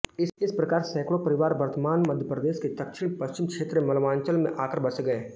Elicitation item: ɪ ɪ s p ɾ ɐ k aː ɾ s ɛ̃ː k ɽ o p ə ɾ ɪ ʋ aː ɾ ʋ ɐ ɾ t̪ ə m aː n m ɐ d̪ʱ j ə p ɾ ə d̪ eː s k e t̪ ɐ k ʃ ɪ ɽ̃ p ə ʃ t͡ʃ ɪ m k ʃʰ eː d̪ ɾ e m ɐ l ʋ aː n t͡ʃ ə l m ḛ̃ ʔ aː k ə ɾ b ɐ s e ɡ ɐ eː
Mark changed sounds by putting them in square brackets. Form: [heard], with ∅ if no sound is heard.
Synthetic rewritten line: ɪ ɪ s p ɾ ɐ k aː ɾ s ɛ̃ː k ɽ o p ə ɾ ɪ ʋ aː ɾ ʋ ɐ ɾ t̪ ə m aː n m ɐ d̪ʱ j ə p ɾ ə d̪ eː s k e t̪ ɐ k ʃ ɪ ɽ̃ p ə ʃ t͡ʃ ɪ m k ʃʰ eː [t̪] ɾ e m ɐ l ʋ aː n t͡ʃ ə l m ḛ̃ ʔ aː k ə ɾ b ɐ s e ɡ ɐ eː